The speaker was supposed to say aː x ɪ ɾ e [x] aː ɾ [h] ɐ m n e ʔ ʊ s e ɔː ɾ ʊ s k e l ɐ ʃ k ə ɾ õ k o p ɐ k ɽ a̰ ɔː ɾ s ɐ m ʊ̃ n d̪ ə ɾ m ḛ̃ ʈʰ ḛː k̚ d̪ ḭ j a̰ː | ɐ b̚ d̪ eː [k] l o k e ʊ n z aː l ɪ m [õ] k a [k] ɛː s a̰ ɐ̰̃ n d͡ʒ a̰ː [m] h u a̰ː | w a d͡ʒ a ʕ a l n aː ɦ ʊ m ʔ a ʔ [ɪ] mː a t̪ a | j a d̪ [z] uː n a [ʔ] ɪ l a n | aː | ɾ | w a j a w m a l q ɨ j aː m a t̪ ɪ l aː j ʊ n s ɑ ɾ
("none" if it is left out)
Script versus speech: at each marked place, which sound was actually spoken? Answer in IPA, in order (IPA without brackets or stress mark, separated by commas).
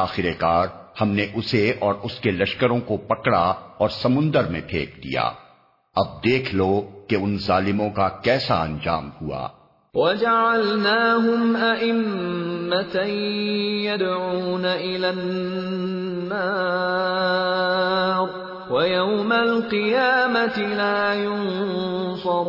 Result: k, h, kʰ, õ, k, m, ɪ, ʕ, ʔ